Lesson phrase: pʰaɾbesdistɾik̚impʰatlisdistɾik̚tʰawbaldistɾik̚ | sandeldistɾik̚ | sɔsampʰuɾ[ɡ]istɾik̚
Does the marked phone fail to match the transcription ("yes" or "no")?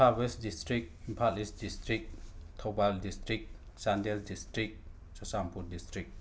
yes